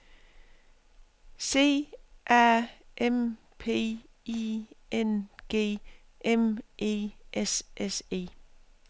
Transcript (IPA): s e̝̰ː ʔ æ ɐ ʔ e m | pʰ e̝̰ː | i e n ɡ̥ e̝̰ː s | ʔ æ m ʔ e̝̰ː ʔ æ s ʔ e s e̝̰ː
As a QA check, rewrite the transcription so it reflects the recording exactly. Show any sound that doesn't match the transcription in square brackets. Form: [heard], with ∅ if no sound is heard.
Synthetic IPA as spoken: s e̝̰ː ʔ æ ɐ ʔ e m | pʰ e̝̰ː | i e n ɡ̥ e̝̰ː [∅] | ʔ [e] m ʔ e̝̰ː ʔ [e] s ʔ e s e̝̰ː